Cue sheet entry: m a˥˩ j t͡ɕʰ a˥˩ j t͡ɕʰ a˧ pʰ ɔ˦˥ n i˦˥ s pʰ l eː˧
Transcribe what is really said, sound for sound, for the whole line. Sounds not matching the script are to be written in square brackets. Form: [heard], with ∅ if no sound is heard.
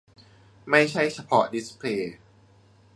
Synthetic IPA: m a˥˩ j t͡ɕʰ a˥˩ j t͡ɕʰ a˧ pʰ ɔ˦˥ [d] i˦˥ s pʰ l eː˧